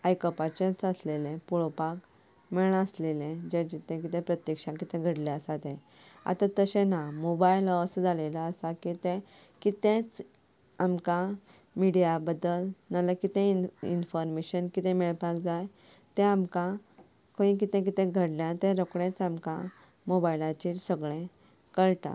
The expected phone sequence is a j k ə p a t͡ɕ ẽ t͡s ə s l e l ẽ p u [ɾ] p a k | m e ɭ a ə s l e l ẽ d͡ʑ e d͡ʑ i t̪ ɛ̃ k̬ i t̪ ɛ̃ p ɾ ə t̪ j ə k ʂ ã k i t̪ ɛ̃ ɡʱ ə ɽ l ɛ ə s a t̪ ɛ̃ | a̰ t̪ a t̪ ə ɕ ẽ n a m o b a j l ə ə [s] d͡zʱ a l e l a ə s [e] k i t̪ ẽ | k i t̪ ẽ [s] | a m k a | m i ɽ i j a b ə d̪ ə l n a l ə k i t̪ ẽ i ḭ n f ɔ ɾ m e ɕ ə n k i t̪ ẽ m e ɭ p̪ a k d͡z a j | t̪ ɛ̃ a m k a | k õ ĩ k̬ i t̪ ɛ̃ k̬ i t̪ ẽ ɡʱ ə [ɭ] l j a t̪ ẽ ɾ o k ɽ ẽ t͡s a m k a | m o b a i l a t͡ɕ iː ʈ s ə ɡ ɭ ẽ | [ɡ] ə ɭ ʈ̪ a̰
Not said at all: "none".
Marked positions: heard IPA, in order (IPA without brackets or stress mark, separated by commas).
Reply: ɭ, s, a, t͡s, ɽ, k